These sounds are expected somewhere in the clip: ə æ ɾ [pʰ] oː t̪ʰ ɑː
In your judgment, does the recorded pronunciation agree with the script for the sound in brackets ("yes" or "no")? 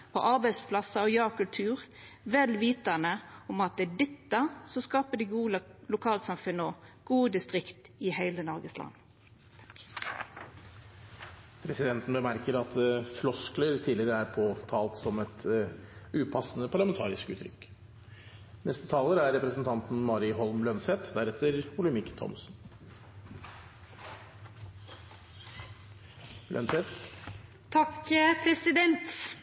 yes